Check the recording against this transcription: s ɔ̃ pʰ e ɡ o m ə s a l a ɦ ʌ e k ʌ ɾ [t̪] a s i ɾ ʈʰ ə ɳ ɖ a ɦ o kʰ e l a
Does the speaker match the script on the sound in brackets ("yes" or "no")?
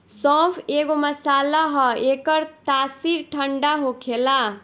yes